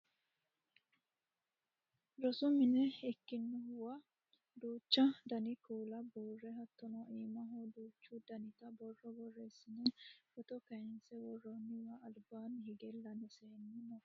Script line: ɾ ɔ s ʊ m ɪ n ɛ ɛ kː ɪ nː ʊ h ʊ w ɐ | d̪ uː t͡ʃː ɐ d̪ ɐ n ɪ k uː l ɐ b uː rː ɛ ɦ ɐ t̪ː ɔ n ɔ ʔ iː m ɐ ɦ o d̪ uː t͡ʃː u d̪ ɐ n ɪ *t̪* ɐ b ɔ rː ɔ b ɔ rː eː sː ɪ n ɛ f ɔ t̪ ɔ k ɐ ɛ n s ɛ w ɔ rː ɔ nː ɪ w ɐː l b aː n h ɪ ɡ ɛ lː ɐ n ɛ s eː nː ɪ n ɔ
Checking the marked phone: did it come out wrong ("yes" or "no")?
no